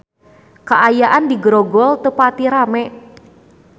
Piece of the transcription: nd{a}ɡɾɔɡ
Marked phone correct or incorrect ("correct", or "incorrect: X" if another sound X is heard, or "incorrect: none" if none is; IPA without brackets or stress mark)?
incorrect: i